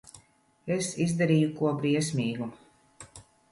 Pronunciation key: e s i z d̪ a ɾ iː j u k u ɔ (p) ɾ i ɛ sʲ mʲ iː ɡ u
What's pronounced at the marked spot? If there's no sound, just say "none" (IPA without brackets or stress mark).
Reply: b